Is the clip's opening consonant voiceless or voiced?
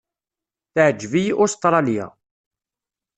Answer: voiceless